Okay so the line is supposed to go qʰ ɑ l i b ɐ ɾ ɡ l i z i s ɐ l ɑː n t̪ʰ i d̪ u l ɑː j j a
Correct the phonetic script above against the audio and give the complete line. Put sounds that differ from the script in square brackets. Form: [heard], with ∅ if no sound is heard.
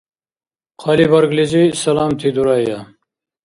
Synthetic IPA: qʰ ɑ l i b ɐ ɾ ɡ l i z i s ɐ l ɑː [m] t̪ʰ i d̪ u [ɾ] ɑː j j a